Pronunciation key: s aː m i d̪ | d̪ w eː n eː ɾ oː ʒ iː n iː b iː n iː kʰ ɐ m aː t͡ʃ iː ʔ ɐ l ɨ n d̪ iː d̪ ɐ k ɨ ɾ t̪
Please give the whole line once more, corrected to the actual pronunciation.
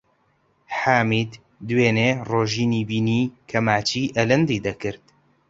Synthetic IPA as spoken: ħ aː m i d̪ | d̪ w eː n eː r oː ʒ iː n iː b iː n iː kʰ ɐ m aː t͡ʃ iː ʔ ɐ l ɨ n d̪ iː d̪ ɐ k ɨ ɾ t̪